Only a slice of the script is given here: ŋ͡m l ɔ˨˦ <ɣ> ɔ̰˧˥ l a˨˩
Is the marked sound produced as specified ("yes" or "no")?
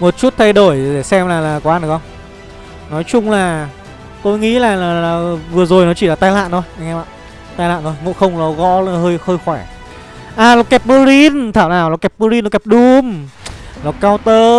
yes